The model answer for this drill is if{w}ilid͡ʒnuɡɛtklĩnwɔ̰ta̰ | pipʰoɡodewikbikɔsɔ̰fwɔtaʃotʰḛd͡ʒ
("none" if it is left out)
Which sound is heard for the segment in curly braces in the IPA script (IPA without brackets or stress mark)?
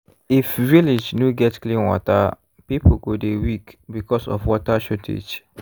v